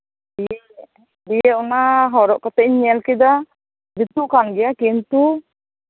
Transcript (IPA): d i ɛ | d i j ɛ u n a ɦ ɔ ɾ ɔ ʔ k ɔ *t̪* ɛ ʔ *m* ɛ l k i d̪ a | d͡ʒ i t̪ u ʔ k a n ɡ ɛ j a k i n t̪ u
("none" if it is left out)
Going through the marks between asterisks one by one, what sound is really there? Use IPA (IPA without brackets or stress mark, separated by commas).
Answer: t̪, ɲ